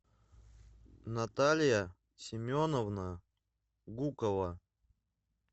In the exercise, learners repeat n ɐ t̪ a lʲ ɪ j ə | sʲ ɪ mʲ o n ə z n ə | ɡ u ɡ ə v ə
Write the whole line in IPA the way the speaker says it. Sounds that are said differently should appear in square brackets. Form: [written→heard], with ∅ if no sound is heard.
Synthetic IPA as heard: n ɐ t̪ a lʲ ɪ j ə | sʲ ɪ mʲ o n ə [z→v] n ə | ɡ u [ɡ→k] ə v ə